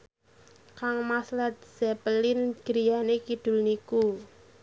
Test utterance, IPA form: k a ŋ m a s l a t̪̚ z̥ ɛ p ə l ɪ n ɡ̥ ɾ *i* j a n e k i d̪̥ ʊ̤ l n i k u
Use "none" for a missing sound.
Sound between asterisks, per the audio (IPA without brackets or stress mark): i